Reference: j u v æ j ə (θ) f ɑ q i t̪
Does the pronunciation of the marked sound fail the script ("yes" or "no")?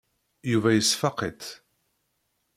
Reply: yes